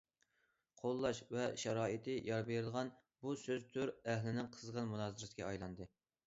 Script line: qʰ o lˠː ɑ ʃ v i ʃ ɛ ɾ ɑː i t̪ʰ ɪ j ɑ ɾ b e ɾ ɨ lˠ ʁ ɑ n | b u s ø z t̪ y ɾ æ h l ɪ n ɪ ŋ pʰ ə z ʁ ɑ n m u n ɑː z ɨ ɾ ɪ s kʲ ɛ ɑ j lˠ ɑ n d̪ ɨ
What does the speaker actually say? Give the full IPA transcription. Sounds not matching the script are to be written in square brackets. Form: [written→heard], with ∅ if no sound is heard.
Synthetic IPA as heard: qʰ o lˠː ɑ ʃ v [i→ɛ] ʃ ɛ ɾ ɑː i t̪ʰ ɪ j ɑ ɾ b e ɾ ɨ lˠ ʁ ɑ n | b u s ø z [t̪→t̪ʰ] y ɾ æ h l ɪ n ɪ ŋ [pʰ→qʰ] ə z ʁ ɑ n m u n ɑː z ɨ ɾ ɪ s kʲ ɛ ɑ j lˠ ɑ n d̪ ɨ